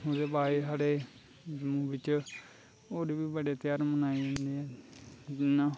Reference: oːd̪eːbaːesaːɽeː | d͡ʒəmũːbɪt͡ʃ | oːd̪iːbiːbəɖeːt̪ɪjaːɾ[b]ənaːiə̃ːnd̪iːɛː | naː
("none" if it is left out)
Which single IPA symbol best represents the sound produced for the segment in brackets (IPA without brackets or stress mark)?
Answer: m